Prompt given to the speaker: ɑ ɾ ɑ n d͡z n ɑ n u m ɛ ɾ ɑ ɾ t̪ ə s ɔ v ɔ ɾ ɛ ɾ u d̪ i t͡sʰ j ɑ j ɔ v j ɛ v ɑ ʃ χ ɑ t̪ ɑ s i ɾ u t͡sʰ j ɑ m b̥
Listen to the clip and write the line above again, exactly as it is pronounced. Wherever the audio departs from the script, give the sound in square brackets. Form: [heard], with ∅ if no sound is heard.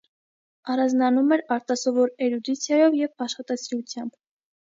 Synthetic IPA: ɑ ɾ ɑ n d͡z n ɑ n u m ɛ ɾ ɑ ɾ t̪ [ɑ] s ɔ v ɔ ɾ ɛ ɾ u d̪ i t͡sʰ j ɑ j ɔ v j ɛ v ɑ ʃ χ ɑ t̪ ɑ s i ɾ u t͡sʰ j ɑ m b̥